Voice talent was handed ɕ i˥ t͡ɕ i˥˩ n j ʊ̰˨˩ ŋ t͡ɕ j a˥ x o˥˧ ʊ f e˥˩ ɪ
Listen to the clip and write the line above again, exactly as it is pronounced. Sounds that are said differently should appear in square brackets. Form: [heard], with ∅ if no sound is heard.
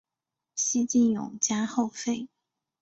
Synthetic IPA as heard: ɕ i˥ t͡ɕ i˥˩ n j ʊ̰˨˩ ŋ t͡ɕ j a˥ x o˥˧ ʊ f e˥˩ ɪ